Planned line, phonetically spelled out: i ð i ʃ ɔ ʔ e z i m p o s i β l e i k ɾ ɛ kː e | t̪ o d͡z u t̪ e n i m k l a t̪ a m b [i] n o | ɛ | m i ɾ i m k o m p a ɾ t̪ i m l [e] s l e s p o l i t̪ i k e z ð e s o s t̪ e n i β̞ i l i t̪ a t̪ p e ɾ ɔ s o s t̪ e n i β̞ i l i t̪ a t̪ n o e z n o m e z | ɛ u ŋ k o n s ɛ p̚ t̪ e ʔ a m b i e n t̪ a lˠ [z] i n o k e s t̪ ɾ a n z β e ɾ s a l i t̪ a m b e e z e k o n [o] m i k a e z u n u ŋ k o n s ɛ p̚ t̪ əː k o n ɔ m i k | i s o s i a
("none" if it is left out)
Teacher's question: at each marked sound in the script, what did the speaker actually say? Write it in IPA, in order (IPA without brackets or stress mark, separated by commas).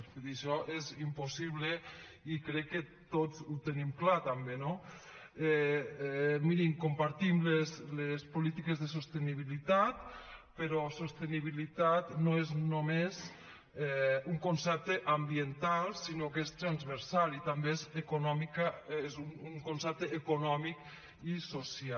e, e, s, ɔ